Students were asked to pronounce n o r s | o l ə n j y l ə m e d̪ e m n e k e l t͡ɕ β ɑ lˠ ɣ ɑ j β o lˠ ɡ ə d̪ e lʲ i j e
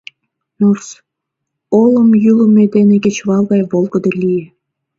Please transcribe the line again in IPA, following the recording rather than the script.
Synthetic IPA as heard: n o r s | o l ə m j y l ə m e d̪ e n e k e t͡ɕ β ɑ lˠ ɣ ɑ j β o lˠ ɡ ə d̪ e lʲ i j e